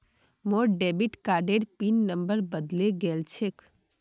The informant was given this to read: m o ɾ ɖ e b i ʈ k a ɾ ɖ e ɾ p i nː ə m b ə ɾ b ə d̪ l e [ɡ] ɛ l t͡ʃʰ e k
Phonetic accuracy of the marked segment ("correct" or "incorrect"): correct